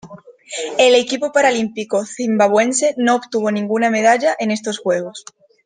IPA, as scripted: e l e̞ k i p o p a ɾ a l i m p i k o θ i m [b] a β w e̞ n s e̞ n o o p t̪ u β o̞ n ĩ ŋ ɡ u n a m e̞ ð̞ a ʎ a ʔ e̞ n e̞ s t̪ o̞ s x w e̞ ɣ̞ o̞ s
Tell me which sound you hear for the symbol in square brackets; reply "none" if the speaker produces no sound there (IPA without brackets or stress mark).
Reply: b